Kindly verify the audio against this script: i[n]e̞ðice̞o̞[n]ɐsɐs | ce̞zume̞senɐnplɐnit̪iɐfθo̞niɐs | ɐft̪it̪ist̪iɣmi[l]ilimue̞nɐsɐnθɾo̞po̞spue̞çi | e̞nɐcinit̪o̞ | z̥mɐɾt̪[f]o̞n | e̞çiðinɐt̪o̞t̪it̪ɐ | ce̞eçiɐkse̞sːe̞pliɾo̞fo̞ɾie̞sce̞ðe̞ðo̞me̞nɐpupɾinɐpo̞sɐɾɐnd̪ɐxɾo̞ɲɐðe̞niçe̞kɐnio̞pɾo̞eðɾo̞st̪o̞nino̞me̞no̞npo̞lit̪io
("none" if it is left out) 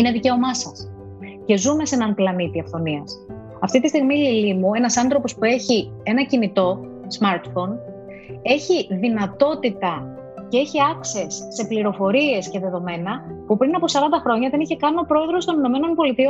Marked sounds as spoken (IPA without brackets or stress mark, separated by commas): n, m, l, f